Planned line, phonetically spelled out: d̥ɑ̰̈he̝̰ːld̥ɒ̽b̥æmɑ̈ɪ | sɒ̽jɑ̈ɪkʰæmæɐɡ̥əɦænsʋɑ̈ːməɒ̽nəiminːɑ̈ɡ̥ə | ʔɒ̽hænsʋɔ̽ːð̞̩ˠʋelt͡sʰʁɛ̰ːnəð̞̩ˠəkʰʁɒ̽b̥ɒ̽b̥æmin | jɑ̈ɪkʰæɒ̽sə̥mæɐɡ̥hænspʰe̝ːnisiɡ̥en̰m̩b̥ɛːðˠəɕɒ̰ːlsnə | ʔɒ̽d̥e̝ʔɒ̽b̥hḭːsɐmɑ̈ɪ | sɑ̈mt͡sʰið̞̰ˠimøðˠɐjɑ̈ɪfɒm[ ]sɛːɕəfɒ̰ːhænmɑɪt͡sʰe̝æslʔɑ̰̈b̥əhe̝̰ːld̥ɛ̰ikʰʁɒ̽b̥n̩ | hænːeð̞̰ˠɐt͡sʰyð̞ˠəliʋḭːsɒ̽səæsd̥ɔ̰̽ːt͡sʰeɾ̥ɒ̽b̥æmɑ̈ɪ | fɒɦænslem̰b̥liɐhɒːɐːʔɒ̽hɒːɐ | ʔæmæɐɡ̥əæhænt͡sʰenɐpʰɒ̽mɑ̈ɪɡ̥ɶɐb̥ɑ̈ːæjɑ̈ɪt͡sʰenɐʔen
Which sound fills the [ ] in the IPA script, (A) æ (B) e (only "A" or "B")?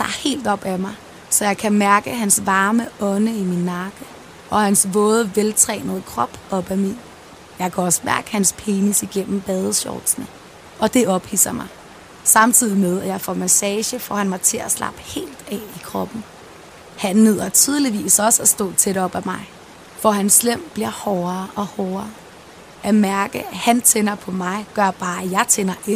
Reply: A